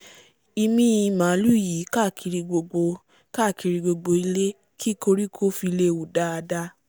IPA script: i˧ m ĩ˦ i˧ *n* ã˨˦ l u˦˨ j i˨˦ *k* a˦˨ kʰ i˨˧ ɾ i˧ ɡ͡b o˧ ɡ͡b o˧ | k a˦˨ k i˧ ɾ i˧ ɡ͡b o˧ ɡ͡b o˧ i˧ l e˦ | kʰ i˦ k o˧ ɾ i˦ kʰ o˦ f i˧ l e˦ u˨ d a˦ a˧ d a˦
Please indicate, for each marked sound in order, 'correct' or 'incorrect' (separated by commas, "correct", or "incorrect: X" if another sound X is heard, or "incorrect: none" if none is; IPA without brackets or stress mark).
incorrect: m, correct